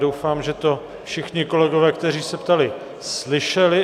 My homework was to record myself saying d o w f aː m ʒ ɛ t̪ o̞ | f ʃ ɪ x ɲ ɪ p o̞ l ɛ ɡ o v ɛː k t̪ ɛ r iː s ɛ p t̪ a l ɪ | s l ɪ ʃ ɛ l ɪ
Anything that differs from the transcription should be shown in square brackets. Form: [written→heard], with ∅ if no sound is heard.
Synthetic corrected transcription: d o w f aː m ʒ ɛ t̪ o̞ | f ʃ ɪ x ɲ ɪ [p→k] o̞ l ɛ ɡ o v ɛː k t̪ ɛ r iː s ɛ p t̪ a l ɪ | s l ɪ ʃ ɛ l ɪ